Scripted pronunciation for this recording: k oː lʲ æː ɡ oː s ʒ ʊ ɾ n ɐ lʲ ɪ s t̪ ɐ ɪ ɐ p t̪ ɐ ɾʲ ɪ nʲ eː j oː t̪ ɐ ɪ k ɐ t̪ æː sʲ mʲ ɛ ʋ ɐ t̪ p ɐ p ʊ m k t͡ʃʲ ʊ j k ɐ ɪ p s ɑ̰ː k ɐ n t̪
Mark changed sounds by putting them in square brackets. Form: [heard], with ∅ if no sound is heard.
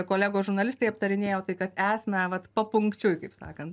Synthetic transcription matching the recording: k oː lʲ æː ɡ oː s ʒ ʊ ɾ n ɐ lʲ ɪ s t̪ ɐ ɪ ɐ p t̪ ɐ ɾʲ ɪ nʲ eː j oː t̪ ɐ ɪ k ɐ t̪ æː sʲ mʲ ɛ ʋ ɐ t̪ p ɐ p ʊ [ŋ] k t͡ʃʲ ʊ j k ɐ ɪ p s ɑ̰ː k ɐ n t̪